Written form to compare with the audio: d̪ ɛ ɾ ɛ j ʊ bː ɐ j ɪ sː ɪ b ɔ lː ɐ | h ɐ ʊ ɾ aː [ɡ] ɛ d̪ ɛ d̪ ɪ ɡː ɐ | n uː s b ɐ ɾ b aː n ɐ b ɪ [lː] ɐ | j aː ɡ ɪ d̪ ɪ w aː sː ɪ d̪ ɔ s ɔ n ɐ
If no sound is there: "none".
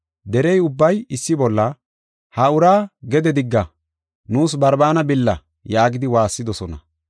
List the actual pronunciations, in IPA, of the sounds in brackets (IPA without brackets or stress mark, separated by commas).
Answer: ɡ, lː